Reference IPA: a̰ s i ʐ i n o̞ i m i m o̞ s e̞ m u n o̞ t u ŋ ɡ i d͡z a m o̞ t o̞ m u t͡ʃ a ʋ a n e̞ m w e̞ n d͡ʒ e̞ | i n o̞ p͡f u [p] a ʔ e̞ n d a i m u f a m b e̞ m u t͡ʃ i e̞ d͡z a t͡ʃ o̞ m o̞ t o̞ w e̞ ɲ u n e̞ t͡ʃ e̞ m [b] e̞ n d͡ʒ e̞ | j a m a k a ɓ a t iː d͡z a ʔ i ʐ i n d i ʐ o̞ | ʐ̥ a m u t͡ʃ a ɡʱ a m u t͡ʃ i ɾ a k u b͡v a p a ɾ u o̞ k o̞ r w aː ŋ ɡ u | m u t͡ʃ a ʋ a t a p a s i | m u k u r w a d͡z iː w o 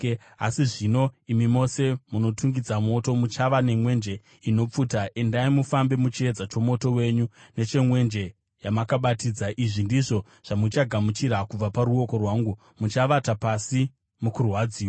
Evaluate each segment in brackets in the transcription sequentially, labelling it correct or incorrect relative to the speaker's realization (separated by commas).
incorrect, incorrect